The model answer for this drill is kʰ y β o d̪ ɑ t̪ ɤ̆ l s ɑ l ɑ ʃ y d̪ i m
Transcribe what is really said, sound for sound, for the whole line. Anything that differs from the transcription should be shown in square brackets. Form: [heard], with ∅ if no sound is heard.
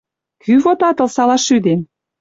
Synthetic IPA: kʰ y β o [t̪] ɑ t̪ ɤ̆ l s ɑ l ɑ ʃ y d̪ [e] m